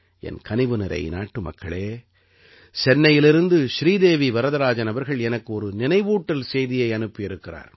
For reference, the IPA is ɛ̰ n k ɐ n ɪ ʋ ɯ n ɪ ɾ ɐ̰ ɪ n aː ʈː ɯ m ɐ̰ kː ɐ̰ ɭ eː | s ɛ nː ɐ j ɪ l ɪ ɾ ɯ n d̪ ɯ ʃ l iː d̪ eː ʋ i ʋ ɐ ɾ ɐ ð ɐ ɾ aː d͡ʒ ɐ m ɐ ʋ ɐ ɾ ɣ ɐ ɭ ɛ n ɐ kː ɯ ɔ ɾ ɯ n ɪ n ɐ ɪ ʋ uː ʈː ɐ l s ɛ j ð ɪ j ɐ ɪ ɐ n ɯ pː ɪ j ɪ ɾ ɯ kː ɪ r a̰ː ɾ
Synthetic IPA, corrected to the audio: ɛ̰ n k ɐ n ɪ ʋ ɯ n ɪ ɾ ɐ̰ ɪ n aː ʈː ɯ m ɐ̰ kː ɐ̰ ɭ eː | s ɛ nː ɐ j ɪ l ɪ ɾ ɯ n d̪ ɯ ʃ ɾ iː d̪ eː ʋ i ʋ ɐ ɾ ɐ ð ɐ ɾ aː d͡ʒ ɐ n ɐ ʋ ɐ ɾ ɣ ɐ ɭ ɛ n ɐ kː ɯ ɔ ɾ ɯ n ɪ n ɐ ɪ ʋ uː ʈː ɐ l s ɛ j ð ɪ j ɐ ɪ ɐ n ɯ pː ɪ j ɪ ɾ ɯ kː ɪ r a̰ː ɾ